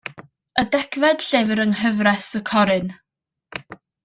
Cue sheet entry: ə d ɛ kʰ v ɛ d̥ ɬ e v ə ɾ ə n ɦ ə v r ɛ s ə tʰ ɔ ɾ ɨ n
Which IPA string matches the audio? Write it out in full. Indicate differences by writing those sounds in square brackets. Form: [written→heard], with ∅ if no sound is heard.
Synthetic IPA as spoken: ə d ɛ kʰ v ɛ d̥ ɬ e v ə ɾ ə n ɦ ə v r ɛ s ə [tʰ→kʰ] ɔ ɾ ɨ n